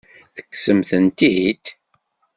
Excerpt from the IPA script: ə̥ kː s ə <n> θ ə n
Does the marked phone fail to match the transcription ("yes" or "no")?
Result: yes